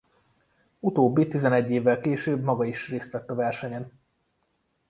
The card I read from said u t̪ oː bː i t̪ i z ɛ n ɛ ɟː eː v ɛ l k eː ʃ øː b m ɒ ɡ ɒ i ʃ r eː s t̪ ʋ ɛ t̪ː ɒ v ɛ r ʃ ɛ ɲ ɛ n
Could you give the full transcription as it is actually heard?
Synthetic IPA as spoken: u t̪ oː bː i t̪ i z ɛ n ɛ ɟː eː vː ɛ l k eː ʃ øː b m ɒ ɡ ɒ i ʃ r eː s t̪ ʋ ɛ t̪ː ɒ v ɛ r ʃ ɛ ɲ ɛ n